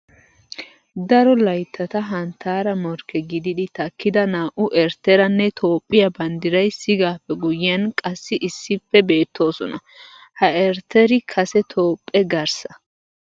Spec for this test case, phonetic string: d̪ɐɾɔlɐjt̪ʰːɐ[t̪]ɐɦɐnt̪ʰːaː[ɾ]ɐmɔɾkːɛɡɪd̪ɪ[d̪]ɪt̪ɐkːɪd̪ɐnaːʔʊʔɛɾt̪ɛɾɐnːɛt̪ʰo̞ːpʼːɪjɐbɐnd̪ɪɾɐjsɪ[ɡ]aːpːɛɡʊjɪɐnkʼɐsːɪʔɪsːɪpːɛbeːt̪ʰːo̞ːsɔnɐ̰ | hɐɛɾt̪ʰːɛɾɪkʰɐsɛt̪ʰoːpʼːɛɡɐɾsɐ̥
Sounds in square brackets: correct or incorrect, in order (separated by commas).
correct, correct, correct, correct